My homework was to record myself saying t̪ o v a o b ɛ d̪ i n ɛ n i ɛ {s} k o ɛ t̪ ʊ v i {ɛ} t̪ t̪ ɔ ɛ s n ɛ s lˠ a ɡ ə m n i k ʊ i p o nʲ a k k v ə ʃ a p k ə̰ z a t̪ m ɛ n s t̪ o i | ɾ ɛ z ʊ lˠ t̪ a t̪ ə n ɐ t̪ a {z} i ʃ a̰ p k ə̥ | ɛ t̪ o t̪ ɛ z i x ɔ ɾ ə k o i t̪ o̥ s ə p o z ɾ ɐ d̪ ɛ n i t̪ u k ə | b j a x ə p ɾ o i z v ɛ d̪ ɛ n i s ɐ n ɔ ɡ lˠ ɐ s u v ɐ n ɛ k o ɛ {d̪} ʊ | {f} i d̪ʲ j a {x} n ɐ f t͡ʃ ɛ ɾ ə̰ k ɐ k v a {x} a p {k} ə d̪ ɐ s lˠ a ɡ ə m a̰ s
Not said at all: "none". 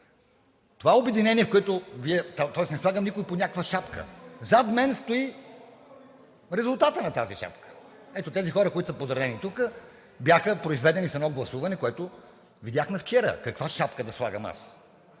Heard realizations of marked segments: f, ɛ, z, t̪, v, x, ʃ, k

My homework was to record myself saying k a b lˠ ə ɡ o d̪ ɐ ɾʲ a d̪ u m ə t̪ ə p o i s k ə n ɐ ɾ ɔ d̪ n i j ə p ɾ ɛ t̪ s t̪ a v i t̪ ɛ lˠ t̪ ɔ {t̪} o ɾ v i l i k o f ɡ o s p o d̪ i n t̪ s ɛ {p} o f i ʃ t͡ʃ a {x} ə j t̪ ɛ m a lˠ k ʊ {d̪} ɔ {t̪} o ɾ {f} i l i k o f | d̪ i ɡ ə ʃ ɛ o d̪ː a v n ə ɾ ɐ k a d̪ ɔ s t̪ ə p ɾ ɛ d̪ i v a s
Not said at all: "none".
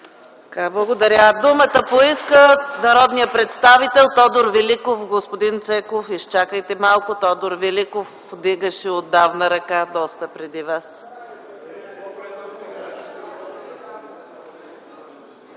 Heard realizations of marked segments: d̪, k, k, t̪, d̪, v

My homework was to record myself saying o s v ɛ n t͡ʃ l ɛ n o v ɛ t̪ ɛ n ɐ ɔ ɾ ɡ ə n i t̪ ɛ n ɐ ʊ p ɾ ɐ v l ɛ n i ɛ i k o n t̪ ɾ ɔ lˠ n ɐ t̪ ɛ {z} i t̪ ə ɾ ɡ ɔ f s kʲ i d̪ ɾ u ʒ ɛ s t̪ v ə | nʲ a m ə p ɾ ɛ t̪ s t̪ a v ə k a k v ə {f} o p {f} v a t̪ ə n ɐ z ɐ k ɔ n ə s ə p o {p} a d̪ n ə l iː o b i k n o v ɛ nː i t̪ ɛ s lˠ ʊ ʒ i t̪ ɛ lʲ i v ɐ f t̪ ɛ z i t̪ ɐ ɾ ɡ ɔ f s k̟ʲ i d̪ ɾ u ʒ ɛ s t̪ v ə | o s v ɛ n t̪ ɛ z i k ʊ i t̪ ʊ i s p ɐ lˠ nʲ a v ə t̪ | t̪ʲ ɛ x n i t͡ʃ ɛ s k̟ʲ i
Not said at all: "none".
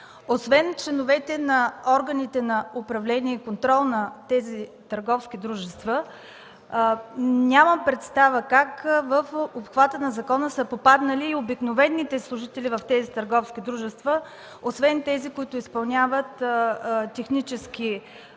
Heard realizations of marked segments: z, f, x, p

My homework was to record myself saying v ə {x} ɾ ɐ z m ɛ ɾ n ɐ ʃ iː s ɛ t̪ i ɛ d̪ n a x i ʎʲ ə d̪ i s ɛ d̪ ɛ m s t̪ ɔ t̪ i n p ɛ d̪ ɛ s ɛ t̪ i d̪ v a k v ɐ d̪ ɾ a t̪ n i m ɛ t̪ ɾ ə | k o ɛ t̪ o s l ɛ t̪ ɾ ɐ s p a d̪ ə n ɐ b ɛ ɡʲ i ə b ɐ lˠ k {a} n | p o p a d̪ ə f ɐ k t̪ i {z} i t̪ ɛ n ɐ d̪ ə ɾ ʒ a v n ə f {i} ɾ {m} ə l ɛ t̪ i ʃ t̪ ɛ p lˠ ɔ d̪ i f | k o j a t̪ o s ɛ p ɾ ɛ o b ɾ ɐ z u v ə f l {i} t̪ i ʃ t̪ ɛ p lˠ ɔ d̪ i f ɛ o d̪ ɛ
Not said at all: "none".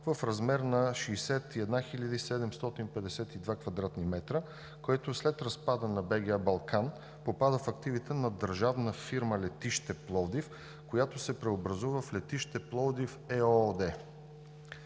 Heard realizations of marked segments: f, a, v, i, m, ɛ

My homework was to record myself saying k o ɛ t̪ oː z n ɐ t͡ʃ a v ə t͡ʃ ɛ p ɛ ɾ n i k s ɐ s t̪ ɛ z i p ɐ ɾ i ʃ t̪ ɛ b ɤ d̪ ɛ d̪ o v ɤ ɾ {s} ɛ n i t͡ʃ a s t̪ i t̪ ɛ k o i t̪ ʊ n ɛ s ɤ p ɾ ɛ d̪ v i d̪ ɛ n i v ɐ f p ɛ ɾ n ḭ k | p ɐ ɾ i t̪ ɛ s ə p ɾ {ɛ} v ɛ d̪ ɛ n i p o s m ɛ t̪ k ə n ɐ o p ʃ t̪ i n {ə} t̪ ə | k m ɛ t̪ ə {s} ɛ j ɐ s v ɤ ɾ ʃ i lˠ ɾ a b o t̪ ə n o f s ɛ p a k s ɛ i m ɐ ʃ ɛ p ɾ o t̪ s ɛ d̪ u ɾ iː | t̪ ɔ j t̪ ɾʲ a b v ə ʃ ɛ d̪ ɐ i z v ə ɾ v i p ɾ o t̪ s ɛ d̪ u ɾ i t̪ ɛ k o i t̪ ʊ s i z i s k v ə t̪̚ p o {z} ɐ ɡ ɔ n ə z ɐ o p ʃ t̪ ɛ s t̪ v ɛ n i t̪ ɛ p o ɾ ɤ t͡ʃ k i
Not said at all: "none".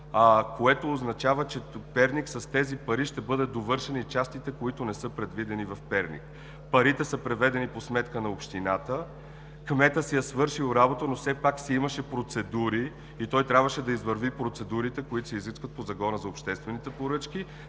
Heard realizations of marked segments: ʃ, ɛ, a, s, z

